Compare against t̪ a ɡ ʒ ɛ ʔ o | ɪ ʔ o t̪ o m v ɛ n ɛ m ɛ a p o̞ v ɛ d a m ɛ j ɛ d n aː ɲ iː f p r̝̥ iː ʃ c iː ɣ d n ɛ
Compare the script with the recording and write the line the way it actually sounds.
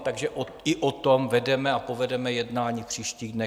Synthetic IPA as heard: t̪ a ɡ ʒ ɛ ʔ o | ɪ ʔ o t̪ o m v ɛ d ɛ m ɛ a p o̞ v ɛ d ɛ m ɛ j ɛ d n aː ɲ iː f p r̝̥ iː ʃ c iː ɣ d n ɛ